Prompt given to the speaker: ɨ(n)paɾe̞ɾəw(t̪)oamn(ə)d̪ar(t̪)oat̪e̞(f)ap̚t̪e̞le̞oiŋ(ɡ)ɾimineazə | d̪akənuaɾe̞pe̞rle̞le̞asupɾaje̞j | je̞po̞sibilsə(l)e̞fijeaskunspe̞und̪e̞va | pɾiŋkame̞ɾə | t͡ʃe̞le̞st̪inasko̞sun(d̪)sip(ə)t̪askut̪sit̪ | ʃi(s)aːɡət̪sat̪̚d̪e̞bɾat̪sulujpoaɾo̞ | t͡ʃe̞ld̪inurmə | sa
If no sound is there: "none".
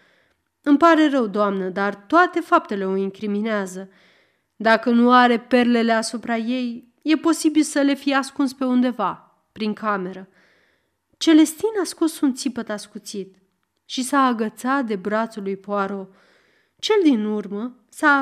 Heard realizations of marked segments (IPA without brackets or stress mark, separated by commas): m, d̪, ə, t̪, f, k, l, t̪, ə, s